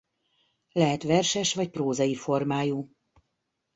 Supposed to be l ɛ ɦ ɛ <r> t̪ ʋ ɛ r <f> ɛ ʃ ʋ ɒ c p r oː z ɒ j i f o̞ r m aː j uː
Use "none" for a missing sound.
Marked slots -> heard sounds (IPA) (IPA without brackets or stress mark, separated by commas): none, ʃ